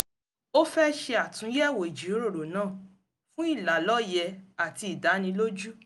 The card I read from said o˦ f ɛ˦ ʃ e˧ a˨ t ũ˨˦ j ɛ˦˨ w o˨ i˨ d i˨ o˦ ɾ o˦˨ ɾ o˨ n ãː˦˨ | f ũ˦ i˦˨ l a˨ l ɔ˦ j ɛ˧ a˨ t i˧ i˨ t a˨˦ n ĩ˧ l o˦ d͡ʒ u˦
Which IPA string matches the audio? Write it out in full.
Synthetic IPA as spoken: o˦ f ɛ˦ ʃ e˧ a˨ t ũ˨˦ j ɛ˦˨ w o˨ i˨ d͡ʒ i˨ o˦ ɾ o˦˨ ɾ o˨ n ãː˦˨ | f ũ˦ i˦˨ l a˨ l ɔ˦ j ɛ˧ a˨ t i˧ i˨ d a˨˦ n ĩ˧ l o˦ d͡ʒ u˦